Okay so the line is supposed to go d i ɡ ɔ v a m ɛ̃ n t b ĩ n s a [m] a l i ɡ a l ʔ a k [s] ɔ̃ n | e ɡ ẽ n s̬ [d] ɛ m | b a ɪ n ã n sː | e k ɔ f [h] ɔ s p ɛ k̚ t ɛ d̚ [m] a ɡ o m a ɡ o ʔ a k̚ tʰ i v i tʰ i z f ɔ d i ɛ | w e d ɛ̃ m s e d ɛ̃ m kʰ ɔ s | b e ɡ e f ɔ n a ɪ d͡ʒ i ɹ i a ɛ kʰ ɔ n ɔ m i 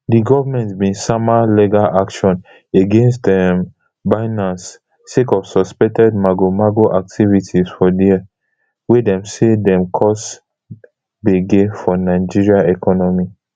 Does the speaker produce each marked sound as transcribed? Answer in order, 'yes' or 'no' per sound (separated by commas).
yes, no, no, no, yes